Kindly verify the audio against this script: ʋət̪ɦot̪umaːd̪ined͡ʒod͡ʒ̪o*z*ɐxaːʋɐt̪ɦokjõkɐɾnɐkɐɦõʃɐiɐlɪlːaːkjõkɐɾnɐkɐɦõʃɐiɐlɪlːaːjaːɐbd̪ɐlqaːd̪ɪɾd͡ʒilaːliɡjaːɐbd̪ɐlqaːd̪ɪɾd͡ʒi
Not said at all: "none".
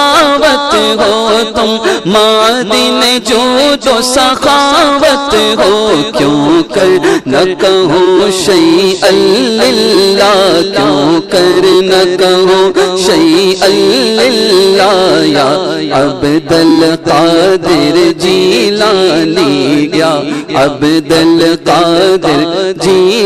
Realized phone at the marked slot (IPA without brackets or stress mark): s